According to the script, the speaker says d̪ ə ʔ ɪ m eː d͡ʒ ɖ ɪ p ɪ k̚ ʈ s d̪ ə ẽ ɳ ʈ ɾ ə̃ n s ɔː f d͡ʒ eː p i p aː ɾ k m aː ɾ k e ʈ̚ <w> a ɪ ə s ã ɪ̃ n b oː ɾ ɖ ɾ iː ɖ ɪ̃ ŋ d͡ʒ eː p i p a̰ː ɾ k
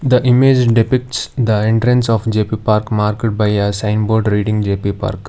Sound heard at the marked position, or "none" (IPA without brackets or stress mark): b